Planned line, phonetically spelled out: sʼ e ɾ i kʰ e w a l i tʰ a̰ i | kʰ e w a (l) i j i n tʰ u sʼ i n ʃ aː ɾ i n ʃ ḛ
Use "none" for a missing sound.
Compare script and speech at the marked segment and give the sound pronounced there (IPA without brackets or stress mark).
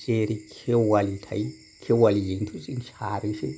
l